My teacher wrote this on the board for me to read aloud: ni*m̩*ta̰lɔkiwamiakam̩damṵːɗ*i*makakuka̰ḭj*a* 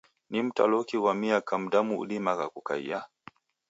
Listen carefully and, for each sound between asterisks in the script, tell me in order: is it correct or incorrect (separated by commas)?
correct, correct, correct